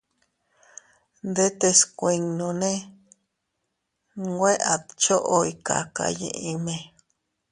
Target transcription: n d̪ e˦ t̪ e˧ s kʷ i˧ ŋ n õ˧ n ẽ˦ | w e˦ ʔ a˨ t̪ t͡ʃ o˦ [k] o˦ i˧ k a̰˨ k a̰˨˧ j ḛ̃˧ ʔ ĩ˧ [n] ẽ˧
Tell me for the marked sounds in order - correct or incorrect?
incorrect: ʔ, incorrect: m

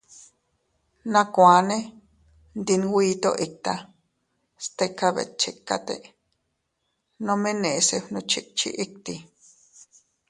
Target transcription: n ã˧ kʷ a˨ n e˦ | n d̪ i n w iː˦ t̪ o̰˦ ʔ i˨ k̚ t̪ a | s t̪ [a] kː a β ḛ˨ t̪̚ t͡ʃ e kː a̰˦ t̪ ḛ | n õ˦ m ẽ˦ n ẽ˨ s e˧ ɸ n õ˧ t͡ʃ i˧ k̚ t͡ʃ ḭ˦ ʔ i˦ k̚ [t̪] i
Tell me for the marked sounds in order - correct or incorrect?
incorrect: e, correct

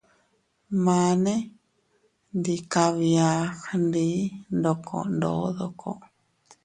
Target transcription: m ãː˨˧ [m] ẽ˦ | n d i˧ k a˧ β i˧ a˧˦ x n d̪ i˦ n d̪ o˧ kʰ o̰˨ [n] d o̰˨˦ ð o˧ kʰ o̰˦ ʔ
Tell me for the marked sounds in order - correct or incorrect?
incorrect: n, correct

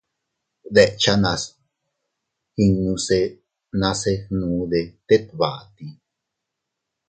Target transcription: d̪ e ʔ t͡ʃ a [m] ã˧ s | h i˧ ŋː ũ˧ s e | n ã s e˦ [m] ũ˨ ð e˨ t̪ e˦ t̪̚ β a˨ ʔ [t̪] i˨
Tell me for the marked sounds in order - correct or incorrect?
incorrect: n, incorrect: n, correct

